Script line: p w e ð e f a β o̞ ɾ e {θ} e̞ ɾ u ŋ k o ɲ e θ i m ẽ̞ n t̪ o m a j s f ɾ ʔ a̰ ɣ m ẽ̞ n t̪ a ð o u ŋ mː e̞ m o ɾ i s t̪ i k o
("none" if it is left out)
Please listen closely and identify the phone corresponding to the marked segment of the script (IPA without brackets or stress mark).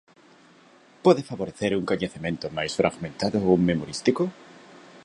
θ